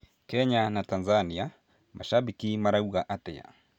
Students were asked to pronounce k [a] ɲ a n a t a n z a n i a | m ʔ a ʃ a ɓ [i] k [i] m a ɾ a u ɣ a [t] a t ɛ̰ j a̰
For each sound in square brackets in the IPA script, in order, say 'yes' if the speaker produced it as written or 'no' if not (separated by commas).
no, yes, yes, no